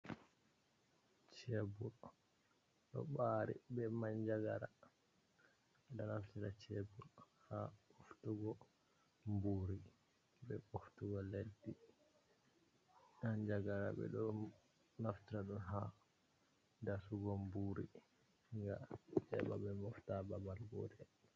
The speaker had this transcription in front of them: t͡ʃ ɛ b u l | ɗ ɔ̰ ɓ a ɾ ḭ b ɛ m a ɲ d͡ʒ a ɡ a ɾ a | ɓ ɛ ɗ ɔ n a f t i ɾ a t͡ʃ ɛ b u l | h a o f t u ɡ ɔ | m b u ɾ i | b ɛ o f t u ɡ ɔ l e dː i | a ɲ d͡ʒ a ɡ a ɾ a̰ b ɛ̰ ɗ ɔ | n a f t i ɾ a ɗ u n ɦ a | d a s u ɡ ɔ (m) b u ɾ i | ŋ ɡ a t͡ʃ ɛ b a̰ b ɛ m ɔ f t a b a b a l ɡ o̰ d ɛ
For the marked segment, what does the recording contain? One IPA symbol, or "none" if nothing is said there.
m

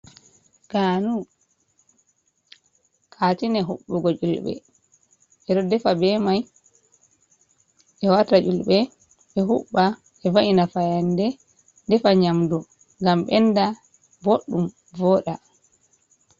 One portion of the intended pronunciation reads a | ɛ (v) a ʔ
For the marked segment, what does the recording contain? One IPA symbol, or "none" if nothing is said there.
v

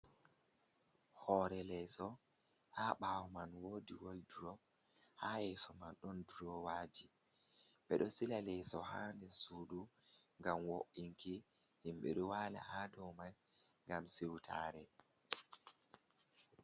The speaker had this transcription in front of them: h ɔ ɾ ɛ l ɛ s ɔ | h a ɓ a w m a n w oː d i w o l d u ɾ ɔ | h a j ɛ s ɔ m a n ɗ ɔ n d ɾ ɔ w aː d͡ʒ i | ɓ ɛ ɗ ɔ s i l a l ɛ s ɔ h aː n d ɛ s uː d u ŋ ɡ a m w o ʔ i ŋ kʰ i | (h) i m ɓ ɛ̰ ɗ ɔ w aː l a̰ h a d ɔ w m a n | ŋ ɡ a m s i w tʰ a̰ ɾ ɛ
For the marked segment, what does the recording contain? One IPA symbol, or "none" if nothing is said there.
h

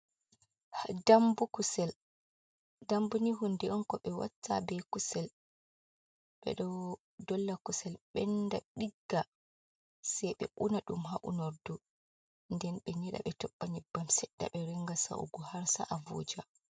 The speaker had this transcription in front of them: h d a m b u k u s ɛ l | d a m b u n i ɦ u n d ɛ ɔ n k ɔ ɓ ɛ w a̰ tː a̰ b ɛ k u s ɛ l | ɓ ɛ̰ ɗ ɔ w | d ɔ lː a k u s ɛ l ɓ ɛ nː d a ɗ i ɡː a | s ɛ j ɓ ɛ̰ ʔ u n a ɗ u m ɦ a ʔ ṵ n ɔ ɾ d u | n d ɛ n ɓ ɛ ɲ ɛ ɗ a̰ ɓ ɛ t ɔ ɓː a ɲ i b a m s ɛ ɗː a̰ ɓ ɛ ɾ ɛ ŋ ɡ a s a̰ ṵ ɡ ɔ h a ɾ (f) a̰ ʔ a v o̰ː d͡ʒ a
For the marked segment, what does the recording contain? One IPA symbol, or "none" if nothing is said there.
s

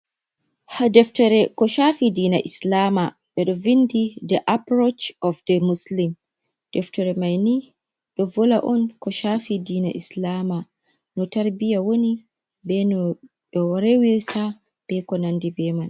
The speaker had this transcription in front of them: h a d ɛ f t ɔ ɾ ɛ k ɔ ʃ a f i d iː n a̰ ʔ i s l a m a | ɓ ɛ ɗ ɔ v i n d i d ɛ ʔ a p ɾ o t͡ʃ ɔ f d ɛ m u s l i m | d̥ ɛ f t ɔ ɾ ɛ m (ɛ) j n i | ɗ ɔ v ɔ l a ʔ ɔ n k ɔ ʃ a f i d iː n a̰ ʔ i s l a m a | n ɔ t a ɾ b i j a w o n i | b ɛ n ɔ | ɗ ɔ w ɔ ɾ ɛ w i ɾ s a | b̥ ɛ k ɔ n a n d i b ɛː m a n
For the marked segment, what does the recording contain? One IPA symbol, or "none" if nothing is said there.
a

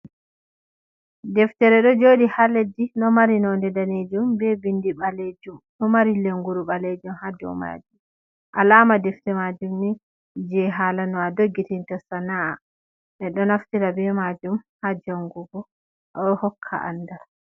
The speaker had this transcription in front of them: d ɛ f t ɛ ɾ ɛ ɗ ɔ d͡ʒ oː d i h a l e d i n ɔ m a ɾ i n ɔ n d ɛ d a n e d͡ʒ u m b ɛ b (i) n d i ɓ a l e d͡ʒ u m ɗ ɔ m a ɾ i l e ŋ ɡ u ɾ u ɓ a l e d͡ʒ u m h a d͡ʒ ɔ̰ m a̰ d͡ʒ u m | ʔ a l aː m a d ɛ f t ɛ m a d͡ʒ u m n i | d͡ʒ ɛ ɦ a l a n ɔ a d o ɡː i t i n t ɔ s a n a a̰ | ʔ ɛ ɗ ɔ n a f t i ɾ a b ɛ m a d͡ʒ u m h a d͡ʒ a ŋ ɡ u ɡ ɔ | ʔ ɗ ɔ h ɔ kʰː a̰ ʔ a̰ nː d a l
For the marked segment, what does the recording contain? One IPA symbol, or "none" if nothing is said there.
i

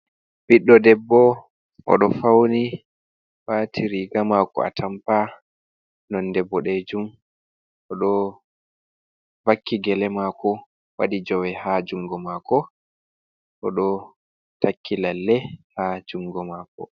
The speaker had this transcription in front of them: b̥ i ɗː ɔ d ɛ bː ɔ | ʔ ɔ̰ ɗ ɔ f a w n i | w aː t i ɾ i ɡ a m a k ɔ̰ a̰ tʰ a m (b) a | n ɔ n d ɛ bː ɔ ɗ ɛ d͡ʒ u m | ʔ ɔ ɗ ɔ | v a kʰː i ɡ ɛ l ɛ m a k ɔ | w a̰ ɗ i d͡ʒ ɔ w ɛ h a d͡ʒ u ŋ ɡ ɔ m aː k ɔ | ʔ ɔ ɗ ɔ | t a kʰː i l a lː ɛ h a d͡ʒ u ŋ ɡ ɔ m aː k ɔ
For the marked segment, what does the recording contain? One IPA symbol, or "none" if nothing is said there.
p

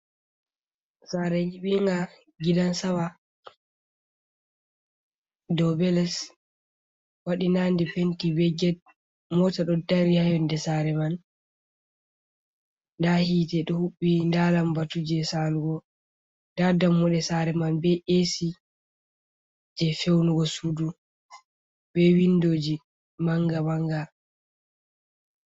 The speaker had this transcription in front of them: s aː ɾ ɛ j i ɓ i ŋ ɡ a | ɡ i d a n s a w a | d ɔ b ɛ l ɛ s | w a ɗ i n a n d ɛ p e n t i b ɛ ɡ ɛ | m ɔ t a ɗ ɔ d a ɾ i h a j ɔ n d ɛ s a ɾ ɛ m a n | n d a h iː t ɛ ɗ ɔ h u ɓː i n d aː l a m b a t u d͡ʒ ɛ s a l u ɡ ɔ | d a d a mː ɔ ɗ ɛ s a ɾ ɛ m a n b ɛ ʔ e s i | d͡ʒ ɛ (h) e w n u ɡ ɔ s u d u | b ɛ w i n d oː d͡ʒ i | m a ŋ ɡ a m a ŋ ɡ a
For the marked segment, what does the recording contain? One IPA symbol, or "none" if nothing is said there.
f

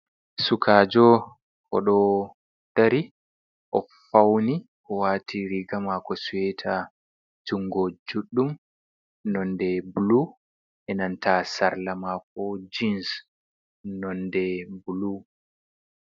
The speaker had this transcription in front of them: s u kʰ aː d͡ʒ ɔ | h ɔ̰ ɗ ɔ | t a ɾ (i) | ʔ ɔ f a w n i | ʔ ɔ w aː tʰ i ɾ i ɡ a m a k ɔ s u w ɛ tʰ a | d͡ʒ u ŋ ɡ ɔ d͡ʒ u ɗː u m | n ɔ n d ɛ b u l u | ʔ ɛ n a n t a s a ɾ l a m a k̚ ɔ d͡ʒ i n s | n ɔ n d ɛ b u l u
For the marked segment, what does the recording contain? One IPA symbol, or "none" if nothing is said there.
i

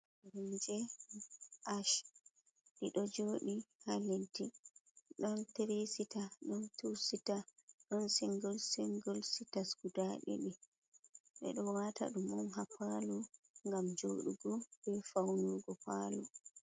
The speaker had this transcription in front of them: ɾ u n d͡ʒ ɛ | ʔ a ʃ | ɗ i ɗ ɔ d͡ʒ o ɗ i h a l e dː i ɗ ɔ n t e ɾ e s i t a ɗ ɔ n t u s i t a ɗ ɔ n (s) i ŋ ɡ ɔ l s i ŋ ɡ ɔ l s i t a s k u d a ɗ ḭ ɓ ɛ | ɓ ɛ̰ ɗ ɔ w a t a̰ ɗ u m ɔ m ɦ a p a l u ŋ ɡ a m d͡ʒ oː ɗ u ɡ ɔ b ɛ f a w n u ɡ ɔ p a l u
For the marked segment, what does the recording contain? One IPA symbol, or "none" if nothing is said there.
s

